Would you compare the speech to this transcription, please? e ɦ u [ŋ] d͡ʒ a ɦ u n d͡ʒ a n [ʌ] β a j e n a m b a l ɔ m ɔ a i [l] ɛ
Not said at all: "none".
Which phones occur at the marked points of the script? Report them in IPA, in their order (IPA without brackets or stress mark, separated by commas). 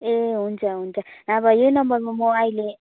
n, a, l